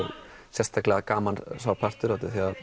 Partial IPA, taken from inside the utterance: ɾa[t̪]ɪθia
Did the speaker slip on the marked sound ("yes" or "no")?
no